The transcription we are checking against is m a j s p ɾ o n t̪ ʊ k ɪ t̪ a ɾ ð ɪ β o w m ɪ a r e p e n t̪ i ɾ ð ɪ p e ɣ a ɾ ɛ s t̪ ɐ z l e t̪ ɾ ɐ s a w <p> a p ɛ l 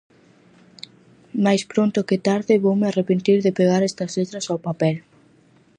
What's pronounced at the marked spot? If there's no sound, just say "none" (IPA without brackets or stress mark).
p